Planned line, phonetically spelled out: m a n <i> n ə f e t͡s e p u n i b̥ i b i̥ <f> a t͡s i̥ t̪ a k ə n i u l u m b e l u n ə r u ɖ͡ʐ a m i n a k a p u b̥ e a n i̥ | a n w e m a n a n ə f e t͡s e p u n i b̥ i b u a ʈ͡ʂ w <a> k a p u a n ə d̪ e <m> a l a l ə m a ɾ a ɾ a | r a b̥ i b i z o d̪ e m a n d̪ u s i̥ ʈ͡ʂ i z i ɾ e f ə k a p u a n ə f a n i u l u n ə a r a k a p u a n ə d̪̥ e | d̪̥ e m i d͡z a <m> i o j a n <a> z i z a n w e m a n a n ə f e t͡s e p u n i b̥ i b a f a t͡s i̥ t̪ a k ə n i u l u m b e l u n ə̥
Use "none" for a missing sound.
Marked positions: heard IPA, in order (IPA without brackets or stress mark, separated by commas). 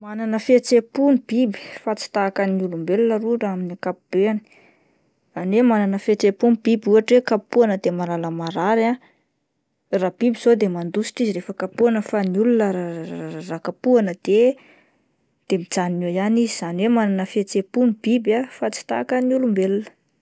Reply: a, f, e, m, n, i